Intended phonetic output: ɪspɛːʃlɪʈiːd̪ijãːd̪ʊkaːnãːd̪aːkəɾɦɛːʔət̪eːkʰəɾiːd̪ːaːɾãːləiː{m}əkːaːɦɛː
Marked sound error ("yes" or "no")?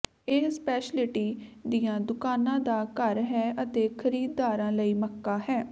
no